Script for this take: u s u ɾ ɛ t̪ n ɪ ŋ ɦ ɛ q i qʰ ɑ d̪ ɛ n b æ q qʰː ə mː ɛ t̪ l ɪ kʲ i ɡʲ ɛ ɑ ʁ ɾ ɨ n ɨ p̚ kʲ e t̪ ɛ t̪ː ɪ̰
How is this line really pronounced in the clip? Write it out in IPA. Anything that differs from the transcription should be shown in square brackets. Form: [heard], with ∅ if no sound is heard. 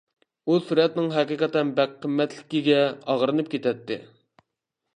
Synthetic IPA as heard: u s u ɾ ɛ t̪ n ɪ ŋ ɦ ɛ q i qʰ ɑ [t̪] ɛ n b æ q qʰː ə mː ɛ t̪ l ɪ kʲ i ɡʲ ɛ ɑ ʁ ɾ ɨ n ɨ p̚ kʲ e t̪ ɛ t̪ː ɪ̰